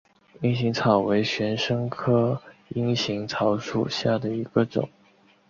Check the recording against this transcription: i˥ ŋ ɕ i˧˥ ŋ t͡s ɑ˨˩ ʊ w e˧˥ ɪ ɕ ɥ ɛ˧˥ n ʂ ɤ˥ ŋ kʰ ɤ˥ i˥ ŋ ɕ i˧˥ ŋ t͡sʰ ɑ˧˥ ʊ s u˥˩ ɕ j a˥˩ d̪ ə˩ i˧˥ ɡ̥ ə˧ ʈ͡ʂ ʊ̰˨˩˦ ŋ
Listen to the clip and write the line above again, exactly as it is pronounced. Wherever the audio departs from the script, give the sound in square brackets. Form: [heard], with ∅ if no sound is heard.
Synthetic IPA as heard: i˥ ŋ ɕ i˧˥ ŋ [t͡sʰ] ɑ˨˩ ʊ w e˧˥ ɪ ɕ ɥ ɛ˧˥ n ʂ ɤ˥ ŋ kʰ ɤ˥ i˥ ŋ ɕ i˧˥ ŋ t͡sʰ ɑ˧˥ ʊ [ʂ] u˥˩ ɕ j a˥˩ d̪ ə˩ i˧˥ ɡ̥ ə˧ ʈ͡ʂ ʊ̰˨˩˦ ŋ